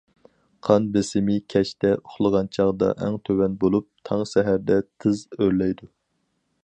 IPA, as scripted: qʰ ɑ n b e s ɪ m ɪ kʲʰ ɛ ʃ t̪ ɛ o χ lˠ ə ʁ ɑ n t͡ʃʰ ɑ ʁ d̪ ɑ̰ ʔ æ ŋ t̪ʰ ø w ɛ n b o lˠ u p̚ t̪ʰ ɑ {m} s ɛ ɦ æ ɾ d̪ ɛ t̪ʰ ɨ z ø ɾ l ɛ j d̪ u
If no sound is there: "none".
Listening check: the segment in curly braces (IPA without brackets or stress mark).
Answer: ŋ